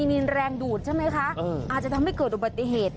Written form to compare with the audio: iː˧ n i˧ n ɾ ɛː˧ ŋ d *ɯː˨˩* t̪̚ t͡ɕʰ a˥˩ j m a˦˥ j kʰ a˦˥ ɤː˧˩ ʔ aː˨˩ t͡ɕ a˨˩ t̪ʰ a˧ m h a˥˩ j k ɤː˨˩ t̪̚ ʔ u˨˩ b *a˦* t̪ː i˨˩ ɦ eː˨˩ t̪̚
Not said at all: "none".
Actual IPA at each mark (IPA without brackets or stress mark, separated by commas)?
uː˨˩, a˨˩